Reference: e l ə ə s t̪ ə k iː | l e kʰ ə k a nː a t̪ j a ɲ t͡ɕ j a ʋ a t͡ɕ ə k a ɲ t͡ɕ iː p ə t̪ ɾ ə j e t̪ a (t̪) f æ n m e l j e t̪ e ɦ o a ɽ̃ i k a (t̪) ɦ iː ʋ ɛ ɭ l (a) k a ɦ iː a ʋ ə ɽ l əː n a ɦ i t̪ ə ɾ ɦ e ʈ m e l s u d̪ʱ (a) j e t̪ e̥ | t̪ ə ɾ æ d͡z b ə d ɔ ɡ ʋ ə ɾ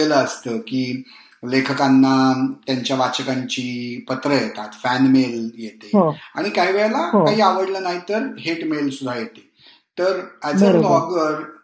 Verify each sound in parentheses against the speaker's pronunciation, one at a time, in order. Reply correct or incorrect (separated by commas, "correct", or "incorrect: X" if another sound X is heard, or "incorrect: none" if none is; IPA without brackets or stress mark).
correct, incorrect: none, correct, correct